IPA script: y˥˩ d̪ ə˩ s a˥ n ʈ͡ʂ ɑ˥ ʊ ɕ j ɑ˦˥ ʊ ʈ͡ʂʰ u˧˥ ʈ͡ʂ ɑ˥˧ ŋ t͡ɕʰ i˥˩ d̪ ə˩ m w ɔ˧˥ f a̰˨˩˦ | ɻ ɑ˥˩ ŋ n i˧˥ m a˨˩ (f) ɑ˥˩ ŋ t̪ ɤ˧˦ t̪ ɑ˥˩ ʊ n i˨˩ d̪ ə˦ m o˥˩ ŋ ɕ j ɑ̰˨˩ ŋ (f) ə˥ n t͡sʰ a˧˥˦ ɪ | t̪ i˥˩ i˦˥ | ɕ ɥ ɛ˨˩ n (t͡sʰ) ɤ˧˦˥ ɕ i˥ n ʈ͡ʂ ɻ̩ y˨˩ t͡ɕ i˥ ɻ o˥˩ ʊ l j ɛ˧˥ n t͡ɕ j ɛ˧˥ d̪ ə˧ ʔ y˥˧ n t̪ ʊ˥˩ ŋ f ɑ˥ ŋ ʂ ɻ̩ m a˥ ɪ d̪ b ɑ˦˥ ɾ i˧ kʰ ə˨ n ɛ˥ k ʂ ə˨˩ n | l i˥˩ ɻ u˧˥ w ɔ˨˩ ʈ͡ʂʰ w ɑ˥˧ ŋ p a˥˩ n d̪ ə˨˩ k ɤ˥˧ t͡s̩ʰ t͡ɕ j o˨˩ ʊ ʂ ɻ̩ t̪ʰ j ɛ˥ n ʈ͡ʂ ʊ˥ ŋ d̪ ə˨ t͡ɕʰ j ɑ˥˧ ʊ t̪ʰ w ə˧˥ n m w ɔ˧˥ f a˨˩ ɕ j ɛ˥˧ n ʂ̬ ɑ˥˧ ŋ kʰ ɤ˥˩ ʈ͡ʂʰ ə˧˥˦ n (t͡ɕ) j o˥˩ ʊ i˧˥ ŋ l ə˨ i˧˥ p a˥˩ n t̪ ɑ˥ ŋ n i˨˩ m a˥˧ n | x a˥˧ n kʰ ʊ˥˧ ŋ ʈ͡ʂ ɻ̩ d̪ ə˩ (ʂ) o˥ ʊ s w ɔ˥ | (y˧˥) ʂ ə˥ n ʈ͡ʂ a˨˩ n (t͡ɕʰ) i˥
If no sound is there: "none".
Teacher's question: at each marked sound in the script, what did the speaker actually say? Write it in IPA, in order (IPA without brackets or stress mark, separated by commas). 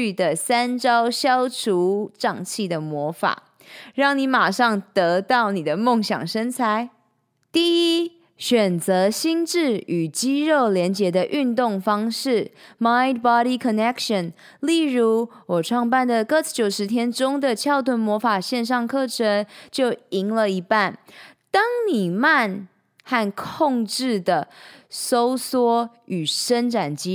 ʂ, ʂ, t͡s, t͡ɕ, s, y˨˩, t͡ɕ